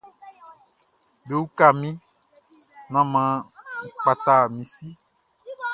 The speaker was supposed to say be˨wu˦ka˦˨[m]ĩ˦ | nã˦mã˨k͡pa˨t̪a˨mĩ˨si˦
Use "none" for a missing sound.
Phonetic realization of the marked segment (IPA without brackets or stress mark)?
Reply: m